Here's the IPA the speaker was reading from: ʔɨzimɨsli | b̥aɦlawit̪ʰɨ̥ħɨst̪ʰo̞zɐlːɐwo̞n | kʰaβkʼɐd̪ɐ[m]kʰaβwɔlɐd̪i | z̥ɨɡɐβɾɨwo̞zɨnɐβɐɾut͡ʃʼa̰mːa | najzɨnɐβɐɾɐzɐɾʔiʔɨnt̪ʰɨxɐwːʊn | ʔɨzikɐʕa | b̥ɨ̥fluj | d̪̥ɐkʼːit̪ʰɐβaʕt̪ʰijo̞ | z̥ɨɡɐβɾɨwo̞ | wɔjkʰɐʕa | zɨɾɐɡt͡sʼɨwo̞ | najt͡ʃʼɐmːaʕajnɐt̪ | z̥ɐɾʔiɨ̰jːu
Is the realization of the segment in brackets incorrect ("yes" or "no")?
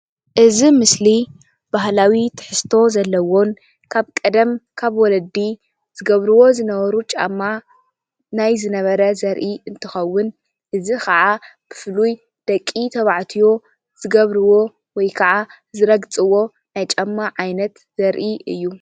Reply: no